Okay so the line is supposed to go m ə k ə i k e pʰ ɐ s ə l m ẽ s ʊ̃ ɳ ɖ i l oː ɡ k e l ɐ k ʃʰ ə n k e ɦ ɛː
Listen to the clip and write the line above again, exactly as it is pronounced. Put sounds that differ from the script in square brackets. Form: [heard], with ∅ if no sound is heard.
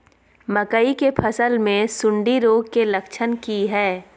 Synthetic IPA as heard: m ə k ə i k e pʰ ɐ s ə l m ẽ s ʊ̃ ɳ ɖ i [ɾ] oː ɡ k e l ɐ k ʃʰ ə n k [i] ɦ ɛː